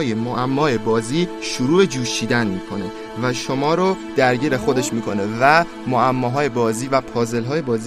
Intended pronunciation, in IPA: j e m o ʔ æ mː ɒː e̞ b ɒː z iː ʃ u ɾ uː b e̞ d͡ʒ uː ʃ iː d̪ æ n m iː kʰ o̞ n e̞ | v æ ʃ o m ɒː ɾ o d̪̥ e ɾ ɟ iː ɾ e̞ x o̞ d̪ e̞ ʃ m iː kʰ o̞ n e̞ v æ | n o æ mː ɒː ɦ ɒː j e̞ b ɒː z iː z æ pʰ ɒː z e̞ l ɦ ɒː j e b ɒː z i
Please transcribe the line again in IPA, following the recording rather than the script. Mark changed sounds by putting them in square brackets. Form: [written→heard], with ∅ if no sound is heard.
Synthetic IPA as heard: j e m o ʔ æ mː ɒː e̞ b ɒː z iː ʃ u ɾ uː b e̞ d͡ʒ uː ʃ iː d̪ æ n m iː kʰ o̞ n e̞ | v æ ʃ o m ɒː ɾ o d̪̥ [e→æ] ɾ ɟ iː ɾ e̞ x o̞ d̪ e̞ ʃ m iː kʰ o̞ n e̞ v æ | [n→m] o æ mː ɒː ɦ ɒː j e̞ b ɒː z iː [z→v] æ pʰ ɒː z e̞ l ɦ ɒː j e b ɒː z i